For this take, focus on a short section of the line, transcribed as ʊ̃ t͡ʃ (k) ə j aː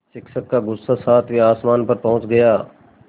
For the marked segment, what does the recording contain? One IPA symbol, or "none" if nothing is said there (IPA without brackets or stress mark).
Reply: ɡ